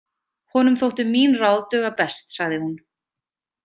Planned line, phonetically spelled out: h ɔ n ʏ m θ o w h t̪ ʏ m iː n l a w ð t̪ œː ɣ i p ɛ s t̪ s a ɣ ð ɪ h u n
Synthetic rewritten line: h ɔ n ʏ m θ o w h t̪ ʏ m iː n r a w ð t̪ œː ɣ a p ɛ s t̪ s a ɣ ð ɪ h u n